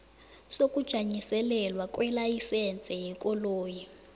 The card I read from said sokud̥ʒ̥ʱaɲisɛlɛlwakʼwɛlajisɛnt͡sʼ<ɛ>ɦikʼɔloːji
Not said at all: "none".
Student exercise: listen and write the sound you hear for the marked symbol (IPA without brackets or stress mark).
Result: ɛ